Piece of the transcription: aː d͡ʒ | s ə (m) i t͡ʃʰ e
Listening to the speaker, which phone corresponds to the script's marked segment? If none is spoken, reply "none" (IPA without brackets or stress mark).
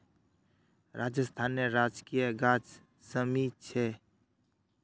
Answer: m